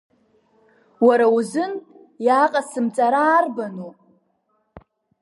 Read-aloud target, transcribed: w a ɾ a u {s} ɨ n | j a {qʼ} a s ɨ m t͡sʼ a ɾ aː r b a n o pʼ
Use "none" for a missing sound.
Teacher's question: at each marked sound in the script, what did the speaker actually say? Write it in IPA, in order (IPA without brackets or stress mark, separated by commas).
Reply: z, qʼ